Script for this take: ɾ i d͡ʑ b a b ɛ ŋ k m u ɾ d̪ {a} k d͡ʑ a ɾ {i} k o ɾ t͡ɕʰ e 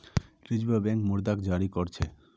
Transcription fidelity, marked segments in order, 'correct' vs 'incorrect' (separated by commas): correct, correct